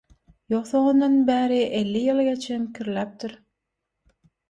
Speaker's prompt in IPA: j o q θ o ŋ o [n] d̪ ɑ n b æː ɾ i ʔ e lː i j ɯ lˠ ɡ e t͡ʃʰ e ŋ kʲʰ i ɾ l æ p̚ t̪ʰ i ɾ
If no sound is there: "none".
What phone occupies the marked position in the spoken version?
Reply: n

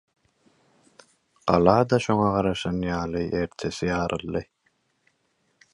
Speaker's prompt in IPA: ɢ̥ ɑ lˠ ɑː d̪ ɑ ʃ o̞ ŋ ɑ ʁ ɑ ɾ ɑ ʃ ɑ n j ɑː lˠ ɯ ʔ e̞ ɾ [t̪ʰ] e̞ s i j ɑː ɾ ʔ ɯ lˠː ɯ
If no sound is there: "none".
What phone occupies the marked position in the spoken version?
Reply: t̪ʰ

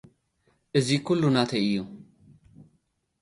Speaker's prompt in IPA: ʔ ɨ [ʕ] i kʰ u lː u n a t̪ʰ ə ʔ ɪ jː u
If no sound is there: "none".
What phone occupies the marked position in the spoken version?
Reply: z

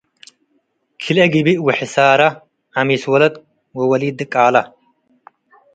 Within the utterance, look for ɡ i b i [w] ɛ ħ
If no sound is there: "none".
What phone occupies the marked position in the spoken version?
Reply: w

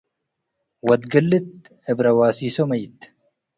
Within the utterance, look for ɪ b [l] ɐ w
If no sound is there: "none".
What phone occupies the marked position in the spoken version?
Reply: ɾ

